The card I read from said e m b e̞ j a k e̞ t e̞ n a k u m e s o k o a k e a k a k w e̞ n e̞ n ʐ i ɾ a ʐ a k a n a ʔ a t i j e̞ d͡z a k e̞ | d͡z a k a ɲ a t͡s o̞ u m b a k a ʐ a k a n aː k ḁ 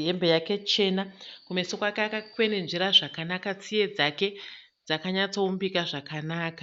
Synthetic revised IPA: e m b e̞ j a k e̞ t͡ʃ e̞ n a k u m e s o k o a k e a k a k w e̞ n e̞ n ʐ i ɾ a ʐ a k a n a k a t͡s i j e̞ d͡z a k e̞ | d͡z a k a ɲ a t͡s o̞ u m b i k a ʐ a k a n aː k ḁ